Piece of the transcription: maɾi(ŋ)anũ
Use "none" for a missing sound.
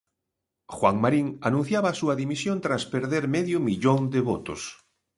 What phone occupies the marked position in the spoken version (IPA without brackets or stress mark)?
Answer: ŋ